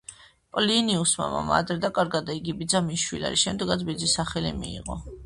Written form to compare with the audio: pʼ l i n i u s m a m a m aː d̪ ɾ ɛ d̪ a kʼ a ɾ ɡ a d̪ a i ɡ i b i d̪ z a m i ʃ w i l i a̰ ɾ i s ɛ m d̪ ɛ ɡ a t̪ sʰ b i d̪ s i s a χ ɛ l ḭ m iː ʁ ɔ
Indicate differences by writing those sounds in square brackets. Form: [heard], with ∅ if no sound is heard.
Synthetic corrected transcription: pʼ l i n i u s m a m a m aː d̪ ɾ ɛ d̪ a kʼ a ɾ ɡ a d̪ a i ɡ i b i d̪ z a m i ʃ w i l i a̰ ɾ i [ʃ] ɛ m d̪ ɛ ɡ a t̪ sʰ b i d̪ [z] i s a χ ɛ l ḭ m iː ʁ ɔ